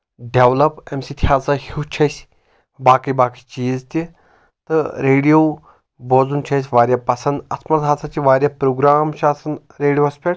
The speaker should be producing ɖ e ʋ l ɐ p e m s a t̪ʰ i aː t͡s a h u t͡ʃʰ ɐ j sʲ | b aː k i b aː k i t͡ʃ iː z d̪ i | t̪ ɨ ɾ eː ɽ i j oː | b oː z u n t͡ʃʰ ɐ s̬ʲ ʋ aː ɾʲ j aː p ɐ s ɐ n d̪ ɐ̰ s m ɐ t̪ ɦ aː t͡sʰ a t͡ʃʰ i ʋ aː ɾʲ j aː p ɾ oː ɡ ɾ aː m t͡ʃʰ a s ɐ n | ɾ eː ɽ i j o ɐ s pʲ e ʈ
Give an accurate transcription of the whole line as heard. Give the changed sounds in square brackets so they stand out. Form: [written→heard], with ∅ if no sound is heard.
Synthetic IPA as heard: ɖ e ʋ l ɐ p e m s [a→i] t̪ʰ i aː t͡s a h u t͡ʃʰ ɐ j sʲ | b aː k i b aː k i t͡ʃ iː z [d̪→t̪] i | t̪ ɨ ɾ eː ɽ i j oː | b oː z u n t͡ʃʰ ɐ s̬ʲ ʋ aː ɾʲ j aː p ɐ s ɐ n d̪ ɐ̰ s m ɐ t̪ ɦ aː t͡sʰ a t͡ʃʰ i ʋ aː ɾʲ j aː p ɾ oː ɡ ɾ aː m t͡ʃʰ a s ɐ n | ɾ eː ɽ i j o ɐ s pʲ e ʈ